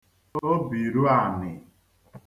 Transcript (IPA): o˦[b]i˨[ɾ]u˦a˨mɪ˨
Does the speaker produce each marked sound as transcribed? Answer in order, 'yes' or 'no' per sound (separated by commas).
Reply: yes, yes